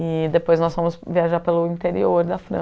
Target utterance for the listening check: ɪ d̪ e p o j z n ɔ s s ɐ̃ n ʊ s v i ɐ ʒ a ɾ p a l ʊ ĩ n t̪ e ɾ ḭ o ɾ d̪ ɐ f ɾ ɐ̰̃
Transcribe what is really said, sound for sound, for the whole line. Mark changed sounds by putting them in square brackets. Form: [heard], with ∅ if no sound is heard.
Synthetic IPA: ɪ d̪ e p o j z n ɔ s [f] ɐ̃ [m] ʊ s v i [a] ʒ a ɾ p [e] l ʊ ĩ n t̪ e ɾ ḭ o ɾ d̪ ɐ f ɾ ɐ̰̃

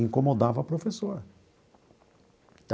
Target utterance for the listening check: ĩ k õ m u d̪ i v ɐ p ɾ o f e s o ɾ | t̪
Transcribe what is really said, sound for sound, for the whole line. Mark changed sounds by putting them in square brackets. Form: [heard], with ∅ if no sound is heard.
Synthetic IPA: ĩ k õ m [o] d̪ [a] v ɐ p ɾ o f e s o ɾ | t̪

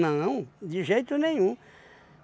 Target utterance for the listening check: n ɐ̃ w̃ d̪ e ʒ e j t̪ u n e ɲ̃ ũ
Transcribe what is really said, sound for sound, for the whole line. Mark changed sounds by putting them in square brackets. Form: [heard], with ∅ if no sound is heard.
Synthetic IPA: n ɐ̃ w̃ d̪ [i] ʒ e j t̪ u n [ẽ] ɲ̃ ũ

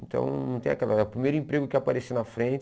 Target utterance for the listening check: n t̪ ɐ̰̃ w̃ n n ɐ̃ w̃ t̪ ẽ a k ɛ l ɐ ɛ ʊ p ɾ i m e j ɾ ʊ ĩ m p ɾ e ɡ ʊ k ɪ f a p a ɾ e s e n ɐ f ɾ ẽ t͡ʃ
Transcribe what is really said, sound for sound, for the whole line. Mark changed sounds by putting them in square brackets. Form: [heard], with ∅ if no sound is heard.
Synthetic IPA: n t̪ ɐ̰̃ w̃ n n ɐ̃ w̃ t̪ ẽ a k ɛ l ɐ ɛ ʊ p ɾ i m e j ɾ ʊ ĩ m p ɾ e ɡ ʊ k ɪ [∅] a p a ɾ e s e n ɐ f ɾ ẽ t͡ʃ

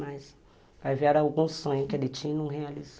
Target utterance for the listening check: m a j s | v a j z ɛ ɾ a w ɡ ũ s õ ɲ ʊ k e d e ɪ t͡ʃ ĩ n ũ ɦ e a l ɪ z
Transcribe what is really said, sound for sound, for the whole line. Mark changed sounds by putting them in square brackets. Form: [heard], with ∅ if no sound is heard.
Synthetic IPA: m a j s | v a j [v] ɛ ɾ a w ɡ ũ s õ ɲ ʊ k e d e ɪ t͡ʃ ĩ n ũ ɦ e a l [i] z

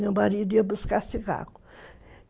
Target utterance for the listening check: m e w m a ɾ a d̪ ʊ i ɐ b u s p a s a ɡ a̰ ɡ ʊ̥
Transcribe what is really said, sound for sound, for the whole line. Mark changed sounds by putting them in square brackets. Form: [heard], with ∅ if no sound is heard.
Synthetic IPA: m e w m a ɾ [i] d̪ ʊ i ɐ b u s [k] a s [i] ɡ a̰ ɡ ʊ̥

